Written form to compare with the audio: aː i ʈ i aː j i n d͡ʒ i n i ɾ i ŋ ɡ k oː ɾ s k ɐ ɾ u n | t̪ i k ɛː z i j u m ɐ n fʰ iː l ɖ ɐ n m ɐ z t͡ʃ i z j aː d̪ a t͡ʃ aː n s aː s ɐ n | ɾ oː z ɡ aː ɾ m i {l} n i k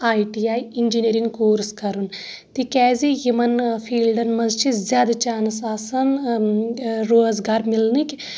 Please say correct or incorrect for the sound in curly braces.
correct